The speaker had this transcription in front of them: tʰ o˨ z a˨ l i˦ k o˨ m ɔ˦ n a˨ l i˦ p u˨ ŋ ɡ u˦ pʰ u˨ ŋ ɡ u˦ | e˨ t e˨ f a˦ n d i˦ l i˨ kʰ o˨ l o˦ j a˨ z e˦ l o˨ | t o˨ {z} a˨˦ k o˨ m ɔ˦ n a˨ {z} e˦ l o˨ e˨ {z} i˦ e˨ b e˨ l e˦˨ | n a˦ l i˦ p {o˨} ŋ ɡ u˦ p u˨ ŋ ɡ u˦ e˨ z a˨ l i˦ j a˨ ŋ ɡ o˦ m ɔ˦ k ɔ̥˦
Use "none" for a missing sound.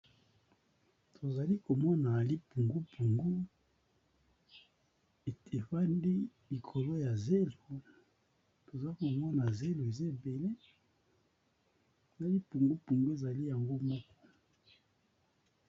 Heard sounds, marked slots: z, z, z, u˨

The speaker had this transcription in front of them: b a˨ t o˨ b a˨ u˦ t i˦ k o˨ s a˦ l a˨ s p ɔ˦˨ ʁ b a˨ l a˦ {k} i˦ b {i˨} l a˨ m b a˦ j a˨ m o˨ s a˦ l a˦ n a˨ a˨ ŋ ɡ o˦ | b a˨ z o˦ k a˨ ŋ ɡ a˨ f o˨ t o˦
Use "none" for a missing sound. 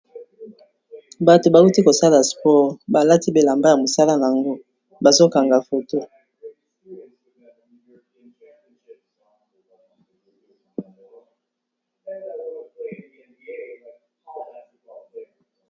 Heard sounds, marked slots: t, e˨

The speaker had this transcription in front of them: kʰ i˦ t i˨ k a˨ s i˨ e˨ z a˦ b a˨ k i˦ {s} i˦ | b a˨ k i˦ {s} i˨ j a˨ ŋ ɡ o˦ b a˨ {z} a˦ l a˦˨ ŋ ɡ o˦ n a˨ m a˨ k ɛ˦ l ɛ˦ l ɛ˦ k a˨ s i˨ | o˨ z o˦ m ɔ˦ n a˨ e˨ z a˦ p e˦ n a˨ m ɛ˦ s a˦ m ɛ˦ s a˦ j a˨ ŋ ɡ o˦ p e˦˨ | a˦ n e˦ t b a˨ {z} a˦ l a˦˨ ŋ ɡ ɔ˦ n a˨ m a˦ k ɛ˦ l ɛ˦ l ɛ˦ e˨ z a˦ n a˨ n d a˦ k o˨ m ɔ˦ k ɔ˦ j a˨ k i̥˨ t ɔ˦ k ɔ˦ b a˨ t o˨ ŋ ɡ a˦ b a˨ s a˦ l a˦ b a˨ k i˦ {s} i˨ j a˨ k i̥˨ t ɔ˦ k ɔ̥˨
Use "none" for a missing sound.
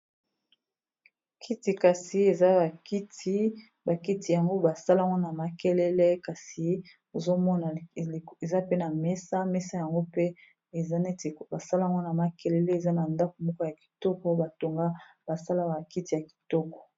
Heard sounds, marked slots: t, t, s, s, t

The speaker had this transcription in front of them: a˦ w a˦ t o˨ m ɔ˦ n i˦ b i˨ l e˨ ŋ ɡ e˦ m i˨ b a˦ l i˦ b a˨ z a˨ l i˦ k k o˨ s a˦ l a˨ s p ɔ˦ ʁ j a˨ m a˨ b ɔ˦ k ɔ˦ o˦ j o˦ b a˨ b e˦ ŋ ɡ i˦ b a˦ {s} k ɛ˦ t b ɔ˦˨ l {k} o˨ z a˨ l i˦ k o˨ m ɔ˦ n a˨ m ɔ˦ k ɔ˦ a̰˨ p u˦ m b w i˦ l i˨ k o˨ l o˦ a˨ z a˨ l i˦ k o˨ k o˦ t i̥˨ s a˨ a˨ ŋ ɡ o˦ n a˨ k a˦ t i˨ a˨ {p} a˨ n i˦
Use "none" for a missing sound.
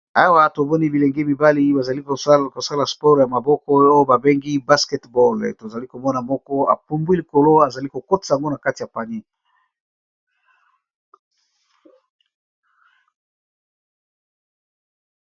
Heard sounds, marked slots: s, t, p

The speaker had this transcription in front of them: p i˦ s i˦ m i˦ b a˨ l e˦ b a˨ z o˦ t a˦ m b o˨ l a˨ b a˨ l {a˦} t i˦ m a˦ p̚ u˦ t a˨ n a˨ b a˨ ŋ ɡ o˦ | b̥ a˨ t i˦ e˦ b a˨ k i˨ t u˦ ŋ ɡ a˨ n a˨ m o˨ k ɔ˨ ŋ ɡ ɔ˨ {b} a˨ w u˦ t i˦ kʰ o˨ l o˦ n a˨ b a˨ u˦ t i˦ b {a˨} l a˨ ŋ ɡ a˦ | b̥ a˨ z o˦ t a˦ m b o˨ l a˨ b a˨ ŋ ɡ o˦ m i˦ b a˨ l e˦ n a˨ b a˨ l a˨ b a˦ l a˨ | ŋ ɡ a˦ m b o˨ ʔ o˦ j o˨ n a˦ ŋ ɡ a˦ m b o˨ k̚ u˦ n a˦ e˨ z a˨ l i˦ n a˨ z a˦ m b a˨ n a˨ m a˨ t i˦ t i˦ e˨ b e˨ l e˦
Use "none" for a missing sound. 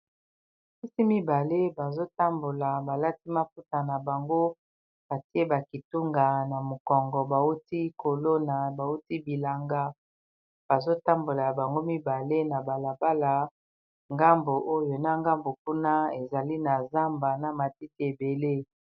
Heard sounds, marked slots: a˦, b, i˨

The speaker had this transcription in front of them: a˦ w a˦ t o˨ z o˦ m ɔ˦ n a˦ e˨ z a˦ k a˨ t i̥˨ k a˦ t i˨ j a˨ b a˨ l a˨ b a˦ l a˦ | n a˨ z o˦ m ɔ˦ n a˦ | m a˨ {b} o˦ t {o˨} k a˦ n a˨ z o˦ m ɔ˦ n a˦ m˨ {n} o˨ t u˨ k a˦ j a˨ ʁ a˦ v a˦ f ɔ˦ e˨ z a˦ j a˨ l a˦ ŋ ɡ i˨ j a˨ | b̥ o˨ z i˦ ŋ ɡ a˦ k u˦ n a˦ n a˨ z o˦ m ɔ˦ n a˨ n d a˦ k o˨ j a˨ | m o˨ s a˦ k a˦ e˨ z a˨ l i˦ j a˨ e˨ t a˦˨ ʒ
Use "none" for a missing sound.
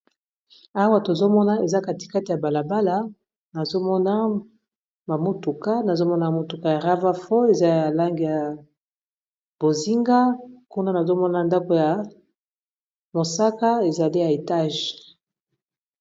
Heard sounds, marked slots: m, u˨, m

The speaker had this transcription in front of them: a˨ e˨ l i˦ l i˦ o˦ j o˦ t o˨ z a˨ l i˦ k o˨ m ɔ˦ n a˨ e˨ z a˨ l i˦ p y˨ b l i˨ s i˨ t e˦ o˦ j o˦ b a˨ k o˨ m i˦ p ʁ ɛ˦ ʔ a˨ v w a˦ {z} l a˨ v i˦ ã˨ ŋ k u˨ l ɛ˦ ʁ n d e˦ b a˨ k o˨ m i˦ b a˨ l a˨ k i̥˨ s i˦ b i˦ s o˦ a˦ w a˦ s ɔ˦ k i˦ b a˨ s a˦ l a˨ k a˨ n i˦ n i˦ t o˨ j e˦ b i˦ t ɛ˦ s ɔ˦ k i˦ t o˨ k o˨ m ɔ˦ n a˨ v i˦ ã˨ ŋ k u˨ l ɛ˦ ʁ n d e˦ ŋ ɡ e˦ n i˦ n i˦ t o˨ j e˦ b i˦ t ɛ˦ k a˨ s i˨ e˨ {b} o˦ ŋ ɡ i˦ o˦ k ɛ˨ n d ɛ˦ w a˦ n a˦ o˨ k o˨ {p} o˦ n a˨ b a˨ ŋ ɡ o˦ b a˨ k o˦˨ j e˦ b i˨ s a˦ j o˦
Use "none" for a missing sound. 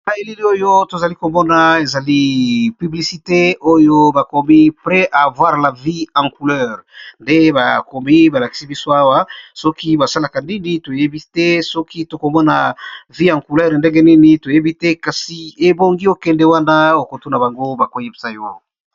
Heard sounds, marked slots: ʁ, b, t

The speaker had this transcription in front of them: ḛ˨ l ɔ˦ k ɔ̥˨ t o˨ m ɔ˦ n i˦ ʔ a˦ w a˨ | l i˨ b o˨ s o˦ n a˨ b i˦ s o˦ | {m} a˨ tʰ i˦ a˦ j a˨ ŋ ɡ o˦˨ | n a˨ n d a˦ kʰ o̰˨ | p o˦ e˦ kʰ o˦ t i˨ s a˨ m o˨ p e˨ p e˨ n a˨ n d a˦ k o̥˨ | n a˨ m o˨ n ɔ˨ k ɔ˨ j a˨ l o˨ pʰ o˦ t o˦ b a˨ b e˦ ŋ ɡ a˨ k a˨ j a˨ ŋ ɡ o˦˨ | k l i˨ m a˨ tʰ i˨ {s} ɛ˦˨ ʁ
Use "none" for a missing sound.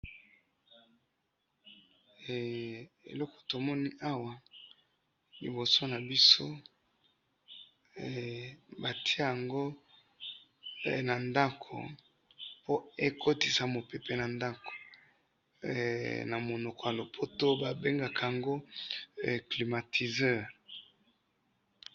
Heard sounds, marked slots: b, z

